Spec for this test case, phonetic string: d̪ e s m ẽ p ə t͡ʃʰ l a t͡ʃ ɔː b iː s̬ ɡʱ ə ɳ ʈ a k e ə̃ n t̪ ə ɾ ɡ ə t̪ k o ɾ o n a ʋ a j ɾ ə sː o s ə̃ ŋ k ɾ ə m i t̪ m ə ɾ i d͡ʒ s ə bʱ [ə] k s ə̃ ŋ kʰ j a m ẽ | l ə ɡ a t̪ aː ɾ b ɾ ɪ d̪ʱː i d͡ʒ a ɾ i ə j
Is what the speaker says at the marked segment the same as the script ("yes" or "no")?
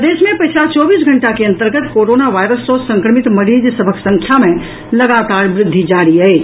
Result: yes